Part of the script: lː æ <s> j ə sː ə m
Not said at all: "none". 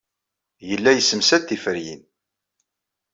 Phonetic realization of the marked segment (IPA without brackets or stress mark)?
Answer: none